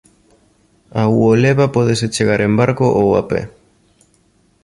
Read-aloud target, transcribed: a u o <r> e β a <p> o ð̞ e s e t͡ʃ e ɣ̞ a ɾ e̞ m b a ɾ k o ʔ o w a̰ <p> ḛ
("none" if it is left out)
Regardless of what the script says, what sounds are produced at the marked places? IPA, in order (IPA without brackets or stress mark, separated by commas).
l, p, p